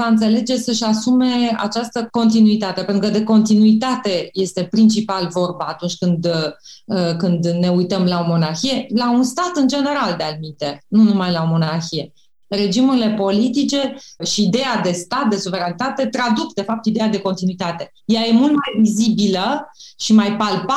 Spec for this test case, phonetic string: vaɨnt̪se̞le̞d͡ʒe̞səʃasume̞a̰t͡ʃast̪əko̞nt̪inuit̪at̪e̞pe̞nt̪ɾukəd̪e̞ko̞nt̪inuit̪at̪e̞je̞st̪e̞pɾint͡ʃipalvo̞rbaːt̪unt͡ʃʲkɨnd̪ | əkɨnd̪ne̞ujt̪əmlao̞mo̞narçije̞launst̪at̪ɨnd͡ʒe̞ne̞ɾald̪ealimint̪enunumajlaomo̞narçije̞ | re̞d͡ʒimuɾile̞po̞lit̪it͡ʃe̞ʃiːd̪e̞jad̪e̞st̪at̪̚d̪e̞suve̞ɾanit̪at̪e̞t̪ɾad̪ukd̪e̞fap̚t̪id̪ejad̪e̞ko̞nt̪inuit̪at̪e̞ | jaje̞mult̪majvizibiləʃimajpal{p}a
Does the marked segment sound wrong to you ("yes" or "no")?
no